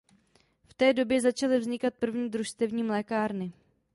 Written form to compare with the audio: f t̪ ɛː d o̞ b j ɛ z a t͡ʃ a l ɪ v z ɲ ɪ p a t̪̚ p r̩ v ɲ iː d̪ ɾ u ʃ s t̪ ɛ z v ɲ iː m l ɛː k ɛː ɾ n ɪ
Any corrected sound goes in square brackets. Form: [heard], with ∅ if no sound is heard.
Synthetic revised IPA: f t̪ ɛː d o̞ b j ɛ z a t͡ʃ a l ɪ v z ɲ ɪ [k] a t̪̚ p r̩ v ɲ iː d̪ ɾ u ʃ s t̪ ɛ [∅] v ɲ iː m l ɛː k [aː] ɾ n ɪ